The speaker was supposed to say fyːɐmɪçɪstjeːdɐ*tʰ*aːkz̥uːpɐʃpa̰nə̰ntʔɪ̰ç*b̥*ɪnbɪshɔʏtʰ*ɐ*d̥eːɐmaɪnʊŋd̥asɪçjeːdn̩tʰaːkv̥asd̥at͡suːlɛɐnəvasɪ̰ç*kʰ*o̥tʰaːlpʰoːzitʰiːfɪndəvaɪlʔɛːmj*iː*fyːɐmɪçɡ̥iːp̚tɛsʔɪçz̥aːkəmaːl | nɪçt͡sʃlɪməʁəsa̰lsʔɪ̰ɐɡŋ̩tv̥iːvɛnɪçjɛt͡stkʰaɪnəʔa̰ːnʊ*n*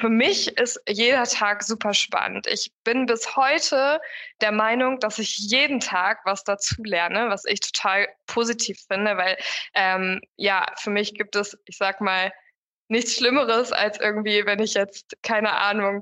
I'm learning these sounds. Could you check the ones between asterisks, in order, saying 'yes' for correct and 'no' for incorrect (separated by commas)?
yes, yes, no, no, no, no